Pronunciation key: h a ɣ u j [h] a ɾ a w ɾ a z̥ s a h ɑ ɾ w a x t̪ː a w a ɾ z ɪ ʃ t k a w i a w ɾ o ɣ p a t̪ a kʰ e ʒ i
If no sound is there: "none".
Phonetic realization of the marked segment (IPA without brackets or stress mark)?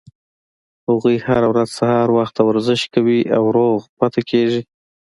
h